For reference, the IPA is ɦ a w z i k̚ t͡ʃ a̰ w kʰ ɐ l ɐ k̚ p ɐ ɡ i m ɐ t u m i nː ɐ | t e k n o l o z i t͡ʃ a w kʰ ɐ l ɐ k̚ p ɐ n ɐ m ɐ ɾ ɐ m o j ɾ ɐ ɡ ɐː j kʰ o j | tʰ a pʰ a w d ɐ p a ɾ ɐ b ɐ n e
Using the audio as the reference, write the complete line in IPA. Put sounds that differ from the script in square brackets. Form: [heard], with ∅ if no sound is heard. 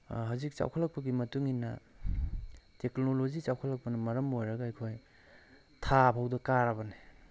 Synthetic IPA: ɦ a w z i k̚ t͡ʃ a̰ w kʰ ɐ l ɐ k̚ p ɐ ɡ i m ɐ t u [ŋ] i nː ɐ | t e k n o l o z i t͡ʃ a w kʰ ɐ l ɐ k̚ p ɐ n ɐ m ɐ ɾ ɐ m o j ɾ ɐ ɡ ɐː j kʰ o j | tʰ a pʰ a w d ɐ [k] a ɾ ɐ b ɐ n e